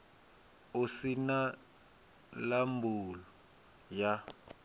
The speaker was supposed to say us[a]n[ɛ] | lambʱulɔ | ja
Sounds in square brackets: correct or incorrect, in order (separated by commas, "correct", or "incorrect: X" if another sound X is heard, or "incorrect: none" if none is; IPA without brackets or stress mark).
incorrect: i, incorrect: a